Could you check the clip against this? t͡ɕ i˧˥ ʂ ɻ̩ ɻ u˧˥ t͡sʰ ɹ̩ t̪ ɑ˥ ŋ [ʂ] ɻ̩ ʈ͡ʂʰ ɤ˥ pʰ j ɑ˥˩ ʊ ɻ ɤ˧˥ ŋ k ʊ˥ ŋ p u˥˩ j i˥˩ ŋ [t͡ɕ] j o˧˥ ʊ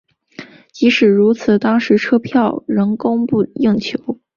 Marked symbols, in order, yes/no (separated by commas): yes, no